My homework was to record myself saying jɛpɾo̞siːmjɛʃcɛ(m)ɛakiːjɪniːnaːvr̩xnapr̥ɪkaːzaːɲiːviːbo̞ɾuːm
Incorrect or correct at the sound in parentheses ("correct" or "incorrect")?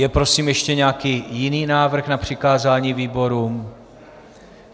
incorrect